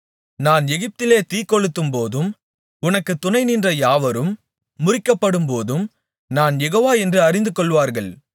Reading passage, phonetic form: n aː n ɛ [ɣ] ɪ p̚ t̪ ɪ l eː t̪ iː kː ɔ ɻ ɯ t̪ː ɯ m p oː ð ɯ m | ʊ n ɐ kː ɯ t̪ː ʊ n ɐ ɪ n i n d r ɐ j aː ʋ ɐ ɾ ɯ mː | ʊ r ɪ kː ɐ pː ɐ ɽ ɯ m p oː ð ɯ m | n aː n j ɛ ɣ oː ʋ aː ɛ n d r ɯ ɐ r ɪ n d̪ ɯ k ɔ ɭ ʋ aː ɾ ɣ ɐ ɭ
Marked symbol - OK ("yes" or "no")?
yes